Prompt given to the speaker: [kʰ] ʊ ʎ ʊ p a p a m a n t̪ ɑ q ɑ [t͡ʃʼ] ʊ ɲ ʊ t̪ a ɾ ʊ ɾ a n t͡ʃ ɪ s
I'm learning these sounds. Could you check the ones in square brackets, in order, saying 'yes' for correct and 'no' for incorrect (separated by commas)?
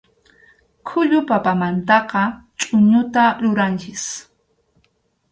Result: yes, yes